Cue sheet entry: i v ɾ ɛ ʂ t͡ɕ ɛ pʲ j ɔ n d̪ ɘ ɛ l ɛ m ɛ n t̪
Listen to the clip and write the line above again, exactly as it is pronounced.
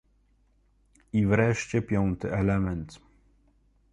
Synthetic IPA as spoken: i v ɾ ɛ ʂ t͡ɕ ɛ pʲ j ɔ n t̪ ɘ ɛ l ɛ m ɛ n t̪

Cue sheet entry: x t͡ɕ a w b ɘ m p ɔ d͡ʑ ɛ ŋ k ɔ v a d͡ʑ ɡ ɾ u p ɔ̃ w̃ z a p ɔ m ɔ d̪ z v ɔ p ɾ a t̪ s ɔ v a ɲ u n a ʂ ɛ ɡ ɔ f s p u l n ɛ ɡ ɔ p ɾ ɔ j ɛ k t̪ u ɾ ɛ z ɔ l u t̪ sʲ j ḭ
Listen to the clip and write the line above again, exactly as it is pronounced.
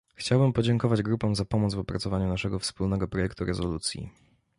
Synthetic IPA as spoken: x t͡ɕ a w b ɘ m p ɔ d͡ʑ ɛ ŋ k ɔ v a d͡ʑ ɡ ɾ u p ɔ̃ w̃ z a p ɔ m ɔ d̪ z v ɔ p ɾ a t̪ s ɔ v a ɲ u n a ʂ ɛ ɡ ɔ f s p u l n ɛ ɡ ɔ p ɾ ɔ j ɛ k t̪ u ɾ ɛ z ɔ l u t̪ sʲ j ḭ

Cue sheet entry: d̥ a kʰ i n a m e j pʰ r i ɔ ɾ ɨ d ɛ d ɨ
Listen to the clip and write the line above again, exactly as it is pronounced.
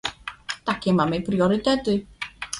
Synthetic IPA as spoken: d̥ a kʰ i m a m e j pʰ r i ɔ ɾ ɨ d ɛ d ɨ

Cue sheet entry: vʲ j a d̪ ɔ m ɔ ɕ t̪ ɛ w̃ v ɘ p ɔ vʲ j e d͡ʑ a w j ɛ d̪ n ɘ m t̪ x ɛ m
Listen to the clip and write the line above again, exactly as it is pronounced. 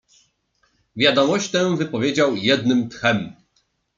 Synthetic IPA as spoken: vʲ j a d̪ ɔ m ɔ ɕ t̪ ɛ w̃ v ɘ p ɔ vʲ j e d͡ʑ a w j ɛ d̪ n ɘ m t̪ x ɛ m

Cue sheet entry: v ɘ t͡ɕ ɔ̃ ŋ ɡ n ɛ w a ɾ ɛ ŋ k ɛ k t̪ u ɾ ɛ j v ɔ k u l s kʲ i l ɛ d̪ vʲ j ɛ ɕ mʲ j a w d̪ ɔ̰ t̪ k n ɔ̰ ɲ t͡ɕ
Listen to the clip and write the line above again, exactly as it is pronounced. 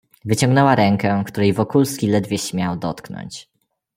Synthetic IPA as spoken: v ɘ t͡ɕ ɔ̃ ŋ ɡ n ɛ w a ɾ ɛ ŋ k ɛ k t̪ u ɾ ɛ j v ɔ k u l s kʲ i l ɛ d̪ vʲ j ɛ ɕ mʲ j a w d̪ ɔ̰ t̪ k n ɔ̰ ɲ t͡ɕ

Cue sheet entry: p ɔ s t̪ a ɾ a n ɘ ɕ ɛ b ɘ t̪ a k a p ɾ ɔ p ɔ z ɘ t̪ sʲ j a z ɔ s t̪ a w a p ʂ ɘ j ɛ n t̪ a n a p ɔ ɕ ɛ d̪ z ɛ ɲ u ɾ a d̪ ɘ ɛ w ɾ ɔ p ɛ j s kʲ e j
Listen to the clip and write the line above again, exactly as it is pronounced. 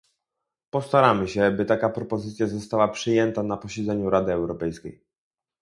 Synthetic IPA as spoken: p ɔ s t̪ a ɾ a m ɘ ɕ ɛ b ɘ t̪ a k a p ɾ ɔ p ɔ z ɘ t̪ sʲ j a z ɔ s t̪ a w a p ʂ ɘ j ɛ n t̪ a n a p ɔ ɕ ɛ d̪ z ɛ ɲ u ɾ a d̪ ɘ ɛ w ɾ ɔ p ɛ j s kʲ e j

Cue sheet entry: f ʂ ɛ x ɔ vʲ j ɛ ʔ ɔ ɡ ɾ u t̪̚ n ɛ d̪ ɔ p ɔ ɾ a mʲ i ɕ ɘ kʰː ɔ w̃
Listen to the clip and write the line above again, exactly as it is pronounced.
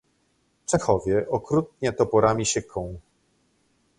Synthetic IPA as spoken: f t͡ʂ ɛ x ɔ vʲ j ɛ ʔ ɔ k ɾ u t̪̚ ɲ ɛ t̪ ɔ p ɔ ɾ a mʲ i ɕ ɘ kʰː ɔ̃ w̃

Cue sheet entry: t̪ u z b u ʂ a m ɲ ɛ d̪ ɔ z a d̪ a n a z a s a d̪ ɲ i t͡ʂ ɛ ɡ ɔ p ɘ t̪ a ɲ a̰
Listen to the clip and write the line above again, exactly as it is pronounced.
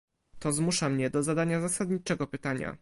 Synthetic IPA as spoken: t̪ ɔ z m u ʂ a m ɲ ɛ d̪ ɔ z a d̪ a ɲ a z a s a d̪ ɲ i t͡ʂ ɛ ɡ ɔ p ɘ t̪ a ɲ a̰

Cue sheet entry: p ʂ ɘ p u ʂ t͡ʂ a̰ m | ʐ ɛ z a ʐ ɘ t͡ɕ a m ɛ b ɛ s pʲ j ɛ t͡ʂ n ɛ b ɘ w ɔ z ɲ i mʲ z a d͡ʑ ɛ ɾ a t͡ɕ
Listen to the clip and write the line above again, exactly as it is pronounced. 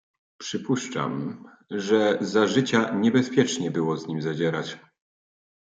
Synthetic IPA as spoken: p ʂ ɘ p u ʂ t͡ʂ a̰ m | ʐ ɛ z a ʐ ɘ t͡ɕ a ɲ ɛ b ɛ s pʲ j ɛ t͡ʂ ɲ ɛ b ɘ w ɔ z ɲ i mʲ z a d͡ʑ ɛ ɾ a t͡ɕ

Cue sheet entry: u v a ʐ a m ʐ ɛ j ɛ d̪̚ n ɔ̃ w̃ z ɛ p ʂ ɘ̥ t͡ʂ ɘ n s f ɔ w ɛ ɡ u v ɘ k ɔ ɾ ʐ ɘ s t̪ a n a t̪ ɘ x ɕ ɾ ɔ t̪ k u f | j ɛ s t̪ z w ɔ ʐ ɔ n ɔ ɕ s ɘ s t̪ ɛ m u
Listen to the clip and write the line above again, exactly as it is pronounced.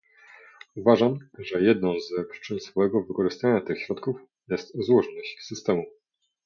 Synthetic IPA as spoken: u v a ʐ a m ʐ ɛ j ɛ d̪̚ n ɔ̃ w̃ z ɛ p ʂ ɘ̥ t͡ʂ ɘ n s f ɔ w ɛ ɡ ɔ v ɘ k ɔ ʐ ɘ s t̪ a ɲ a t̪ ɘ x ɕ ɾ ɔ t̪ k u f | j ɛ s t̪ z w ɔ ʐ ɔ n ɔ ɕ s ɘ s t̪ ɛ m u

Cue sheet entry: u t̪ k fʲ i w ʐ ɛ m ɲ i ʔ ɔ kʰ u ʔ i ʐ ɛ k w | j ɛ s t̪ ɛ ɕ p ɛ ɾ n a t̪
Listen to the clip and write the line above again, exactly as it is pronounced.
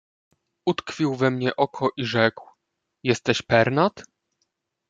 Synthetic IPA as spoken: u t̪ k fʲ i w v ɛ m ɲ ɛ ʔ ɔ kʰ ɔ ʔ i ʐ ɛ k w | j ɛ s t̪ ɛ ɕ p ɛ ɾ n a t̪

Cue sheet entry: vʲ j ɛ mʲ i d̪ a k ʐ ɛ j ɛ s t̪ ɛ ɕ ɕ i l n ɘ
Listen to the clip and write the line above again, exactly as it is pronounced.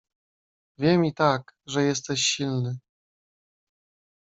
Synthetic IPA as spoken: vʲ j ɛ mʲ i t̪ a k ʐ ɛ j ɛ s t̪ ɛ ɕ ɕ i l n ɘ

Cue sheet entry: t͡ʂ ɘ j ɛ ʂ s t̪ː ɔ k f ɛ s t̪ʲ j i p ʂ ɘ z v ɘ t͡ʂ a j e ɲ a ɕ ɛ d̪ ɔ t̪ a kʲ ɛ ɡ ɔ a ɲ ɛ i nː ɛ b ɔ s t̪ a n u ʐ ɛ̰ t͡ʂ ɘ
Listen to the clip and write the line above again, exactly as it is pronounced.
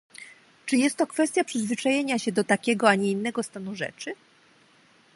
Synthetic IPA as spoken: t͡ʂ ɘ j ɛ s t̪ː ɔ k f ɛ s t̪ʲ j a p ʂ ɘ z v ɘ t͡ʂ a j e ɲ a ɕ ɛ d̪ ɔ t̪ a kʲ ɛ ɡ ɔ a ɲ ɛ i nː ɛ ɡ ɔ s t̪ a n u ʐ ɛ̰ t͡ʂ ɘ

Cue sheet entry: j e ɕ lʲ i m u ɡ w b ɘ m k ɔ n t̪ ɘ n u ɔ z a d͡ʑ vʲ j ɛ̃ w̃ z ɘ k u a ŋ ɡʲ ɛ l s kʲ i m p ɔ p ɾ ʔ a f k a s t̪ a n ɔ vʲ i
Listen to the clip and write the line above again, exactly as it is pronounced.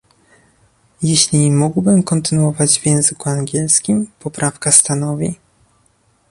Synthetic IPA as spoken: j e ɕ lʲ i m u ɡ w b ɘ m k ɔ n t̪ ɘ n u ɔ v a d͡ʑ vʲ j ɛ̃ w̃ z ɘ k u a ŋ ɡʲ ɛ l s kʲ i m p ɔ p ɾ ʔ a f k a s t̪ a n ɔ vʲ i

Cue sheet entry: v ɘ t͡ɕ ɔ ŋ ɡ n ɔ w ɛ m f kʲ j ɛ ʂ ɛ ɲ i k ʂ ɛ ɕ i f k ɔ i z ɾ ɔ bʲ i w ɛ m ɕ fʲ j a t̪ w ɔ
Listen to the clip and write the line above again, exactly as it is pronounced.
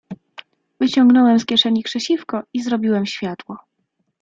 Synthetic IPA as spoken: v ɘ t͡ɕ ɔ ŋ ɡ n ɔ w ɛ m s kʲ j ɛ ʂ ɛ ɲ i k ʂ ɛ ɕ i f k ɔ i z ɾ ɔ bʲ i w ɛ m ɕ fʲ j a t̪ w ɔ

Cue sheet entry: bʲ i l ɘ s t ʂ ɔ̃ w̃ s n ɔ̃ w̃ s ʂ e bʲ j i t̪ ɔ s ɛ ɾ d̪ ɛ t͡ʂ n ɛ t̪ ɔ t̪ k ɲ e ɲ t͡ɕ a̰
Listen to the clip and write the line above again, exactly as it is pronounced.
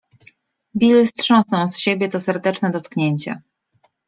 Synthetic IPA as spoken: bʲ i l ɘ s t ʂ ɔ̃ w̃ s n ɔ̃ w̃ s ɕ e bʲ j ɛ t̪ ɔ s ɛ ɾ d̪ ɛ t͡ʂ n ɛ d̪ ɔ t̪ k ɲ e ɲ t͡ɕ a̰

